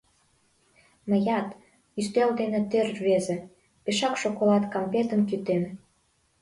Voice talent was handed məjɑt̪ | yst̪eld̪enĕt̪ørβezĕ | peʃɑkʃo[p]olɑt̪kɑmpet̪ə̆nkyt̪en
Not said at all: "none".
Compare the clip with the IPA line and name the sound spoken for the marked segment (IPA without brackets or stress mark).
k